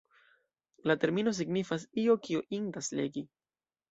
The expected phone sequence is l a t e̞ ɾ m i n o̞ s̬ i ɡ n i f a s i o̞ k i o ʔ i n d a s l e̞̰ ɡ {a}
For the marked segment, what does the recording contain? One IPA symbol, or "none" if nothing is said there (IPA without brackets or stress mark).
i